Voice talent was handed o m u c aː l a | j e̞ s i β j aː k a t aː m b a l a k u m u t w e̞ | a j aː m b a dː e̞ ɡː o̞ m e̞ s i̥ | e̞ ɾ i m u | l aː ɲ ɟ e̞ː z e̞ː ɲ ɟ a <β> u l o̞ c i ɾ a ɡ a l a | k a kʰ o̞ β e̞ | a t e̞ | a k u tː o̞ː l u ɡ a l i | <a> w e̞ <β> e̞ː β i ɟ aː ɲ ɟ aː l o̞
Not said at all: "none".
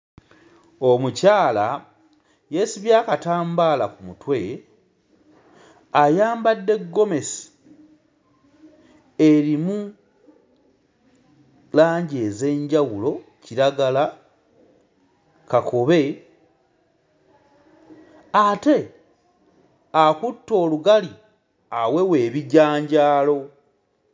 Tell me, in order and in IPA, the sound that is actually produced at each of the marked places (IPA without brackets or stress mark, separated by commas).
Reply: w, a, w